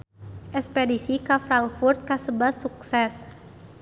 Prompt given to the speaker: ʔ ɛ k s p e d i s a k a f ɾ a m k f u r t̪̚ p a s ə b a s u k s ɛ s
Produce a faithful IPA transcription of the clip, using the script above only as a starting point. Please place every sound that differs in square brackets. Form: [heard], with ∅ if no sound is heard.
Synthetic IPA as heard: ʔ ɛ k s p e d i s [i] k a f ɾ a [ŋ] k f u r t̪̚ [k] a s ə b a s u k s ɛ s